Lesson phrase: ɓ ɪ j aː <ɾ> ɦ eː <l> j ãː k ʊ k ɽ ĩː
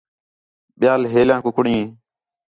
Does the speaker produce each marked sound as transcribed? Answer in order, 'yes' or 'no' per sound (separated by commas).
no, yes